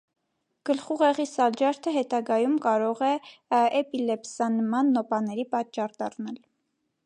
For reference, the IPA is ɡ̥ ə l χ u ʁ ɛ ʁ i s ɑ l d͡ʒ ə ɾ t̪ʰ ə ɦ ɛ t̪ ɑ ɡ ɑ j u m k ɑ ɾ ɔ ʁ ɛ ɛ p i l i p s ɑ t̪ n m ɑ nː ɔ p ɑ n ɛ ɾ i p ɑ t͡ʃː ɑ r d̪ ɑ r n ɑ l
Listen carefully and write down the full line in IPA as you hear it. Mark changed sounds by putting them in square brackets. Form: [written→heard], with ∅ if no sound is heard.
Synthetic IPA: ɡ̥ ə l χ u ʁ ɛ ʁ i s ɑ l d͡ʒ [ə→ɑ] ɾ t̪ʰ ə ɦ ɛ t̪ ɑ ɡ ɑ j u m k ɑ ɾ ɔ ʁ ɛ ɛ p i l [i→ɛ] p s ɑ [t̪→∅] n m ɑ nː ɔ p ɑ n ɛ ɾ i p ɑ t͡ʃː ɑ r d̪ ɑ r n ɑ l